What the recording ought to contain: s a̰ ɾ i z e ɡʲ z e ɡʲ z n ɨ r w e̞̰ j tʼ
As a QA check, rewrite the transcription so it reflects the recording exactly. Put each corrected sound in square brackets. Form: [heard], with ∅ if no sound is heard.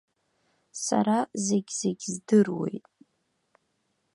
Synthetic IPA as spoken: s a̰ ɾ [a] z e ɡʲ z e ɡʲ z [d] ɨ r w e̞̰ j tʼ